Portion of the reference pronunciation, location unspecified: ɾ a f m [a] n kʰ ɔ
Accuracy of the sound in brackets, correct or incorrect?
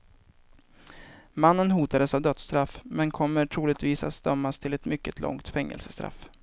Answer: incorrect